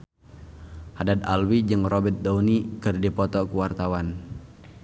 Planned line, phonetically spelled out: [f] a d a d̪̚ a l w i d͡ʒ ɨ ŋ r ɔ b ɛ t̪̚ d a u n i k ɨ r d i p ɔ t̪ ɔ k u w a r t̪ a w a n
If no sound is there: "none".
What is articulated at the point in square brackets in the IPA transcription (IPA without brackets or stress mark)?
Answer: h